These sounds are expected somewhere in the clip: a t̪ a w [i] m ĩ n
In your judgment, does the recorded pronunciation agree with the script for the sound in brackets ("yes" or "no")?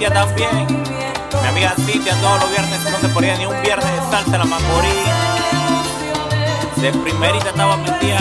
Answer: no